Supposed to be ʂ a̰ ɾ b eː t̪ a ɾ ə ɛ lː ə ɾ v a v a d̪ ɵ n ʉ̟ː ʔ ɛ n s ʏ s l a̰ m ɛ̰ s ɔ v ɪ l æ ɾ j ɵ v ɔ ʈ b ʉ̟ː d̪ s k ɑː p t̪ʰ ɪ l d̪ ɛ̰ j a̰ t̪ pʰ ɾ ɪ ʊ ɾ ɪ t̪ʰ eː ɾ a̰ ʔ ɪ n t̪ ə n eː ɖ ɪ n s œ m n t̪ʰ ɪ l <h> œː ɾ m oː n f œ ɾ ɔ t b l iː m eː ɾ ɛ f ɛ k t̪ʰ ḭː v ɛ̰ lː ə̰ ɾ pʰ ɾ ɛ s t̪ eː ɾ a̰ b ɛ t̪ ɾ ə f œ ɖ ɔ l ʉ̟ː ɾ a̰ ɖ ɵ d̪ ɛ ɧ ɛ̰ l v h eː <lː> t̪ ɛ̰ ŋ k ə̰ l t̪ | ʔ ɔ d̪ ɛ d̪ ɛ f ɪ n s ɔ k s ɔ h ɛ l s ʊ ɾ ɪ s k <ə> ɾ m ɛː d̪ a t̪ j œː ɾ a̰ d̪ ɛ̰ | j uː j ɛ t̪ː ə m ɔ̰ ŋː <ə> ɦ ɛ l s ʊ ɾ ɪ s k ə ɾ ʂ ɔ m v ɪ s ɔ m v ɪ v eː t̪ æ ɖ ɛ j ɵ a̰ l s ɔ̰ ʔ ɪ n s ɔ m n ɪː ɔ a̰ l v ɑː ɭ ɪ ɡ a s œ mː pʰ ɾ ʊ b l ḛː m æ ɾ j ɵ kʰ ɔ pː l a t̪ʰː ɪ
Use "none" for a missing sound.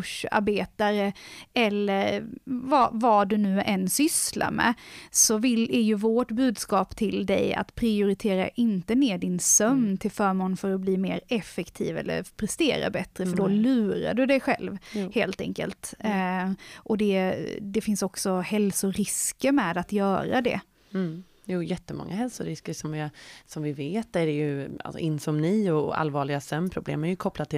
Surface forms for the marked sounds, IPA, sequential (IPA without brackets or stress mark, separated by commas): f, l, ə, a